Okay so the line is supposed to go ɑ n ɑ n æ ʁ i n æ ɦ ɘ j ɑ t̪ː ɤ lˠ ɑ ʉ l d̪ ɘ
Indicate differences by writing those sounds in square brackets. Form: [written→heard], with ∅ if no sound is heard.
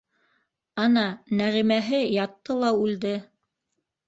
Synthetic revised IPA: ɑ n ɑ n æ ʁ i [n→m] æ ɦ ɘ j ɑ t̪ː ɤ lˠ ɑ ʉ l d̪ ɘ